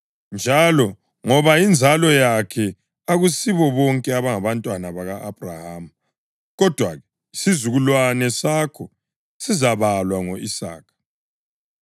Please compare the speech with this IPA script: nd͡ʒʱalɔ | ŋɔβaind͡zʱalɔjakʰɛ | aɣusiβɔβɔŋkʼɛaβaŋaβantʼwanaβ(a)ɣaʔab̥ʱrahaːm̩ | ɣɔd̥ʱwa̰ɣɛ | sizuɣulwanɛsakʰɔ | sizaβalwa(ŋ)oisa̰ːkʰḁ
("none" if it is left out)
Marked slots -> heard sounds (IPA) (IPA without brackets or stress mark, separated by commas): a, ŋ